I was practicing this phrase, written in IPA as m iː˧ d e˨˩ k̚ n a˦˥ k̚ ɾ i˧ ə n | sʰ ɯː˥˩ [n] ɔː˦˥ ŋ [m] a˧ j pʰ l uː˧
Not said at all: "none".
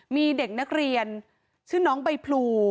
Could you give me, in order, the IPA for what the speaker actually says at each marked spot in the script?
n, b

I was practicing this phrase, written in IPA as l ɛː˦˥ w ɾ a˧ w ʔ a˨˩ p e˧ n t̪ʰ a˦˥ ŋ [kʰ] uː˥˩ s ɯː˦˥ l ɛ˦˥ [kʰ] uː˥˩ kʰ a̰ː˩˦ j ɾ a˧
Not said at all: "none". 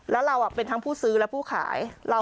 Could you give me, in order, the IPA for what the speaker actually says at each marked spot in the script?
pʰ, pʰ

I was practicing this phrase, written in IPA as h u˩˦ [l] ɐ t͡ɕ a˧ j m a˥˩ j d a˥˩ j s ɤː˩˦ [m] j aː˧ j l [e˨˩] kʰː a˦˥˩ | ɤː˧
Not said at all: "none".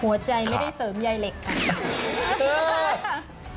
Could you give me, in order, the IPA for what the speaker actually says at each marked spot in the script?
none, m, e˨˩

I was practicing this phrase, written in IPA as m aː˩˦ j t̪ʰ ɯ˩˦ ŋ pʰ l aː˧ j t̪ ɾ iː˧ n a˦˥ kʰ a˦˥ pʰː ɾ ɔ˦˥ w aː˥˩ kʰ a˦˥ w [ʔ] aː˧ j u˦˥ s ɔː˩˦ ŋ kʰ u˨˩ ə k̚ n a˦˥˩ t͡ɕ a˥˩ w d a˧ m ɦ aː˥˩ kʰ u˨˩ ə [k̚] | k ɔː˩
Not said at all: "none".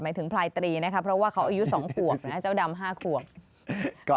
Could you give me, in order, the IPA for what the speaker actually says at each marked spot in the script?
ʔ, k̚

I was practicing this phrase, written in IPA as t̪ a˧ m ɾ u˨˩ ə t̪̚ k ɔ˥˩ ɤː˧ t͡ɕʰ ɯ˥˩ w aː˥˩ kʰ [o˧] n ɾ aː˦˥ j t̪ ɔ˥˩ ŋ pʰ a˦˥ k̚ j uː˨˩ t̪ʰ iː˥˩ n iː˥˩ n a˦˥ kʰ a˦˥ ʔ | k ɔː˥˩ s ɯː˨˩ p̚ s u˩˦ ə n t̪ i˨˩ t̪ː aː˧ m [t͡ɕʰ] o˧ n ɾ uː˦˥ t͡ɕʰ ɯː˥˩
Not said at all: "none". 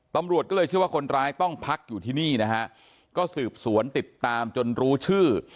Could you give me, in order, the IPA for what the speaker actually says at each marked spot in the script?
o˧, t͡ɕ

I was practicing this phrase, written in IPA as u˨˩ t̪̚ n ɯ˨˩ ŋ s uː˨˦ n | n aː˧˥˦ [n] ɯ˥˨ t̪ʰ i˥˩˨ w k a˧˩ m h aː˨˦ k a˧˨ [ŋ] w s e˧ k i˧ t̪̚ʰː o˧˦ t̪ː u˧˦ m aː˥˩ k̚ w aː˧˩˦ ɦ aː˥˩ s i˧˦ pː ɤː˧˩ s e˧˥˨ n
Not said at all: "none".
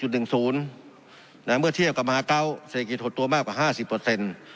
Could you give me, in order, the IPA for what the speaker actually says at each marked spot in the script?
m, none

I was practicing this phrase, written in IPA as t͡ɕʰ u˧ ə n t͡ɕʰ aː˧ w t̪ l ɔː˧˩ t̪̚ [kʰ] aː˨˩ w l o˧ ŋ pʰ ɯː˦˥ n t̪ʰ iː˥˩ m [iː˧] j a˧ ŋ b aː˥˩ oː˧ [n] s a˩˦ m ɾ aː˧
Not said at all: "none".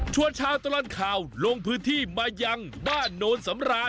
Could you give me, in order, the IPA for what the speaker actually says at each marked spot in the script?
kʰ, aː˧, n

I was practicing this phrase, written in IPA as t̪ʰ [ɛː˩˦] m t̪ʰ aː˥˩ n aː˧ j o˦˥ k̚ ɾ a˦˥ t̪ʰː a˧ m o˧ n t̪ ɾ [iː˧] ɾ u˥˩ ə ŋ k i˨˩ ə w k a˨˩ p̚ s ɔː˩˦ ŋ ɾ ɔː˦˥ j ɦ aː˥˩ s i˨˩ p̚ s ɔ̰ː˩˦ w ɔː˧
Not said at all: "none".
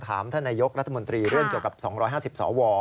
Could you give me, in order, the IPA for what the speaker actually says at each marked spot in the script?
aː˩˦, iː˧

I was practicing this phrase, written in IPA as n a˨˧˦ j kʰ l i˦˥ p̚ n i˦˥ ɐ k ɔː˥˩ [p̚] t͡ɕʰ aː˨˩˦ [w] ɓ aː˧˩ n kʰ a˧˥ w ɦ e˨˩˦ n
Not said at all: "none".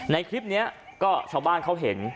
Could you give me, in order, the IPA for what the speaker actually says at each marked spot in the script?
none, w

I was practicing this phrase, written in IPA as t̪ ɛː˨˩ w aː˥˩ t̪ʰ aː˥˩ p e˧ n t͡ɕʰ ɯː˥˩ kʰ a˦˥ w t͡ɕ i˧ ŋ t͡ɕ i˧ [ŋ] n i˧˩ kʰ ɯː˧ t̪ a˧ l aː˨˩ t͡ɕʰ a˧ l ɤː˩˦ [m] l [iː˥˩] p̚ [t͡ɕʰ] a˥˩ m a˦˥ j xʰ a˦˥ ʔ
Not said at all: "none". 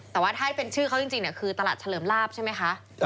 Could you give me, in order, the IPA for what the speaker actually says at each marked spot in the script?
ŋ, m, aː˥˩, t͡ɕʰ

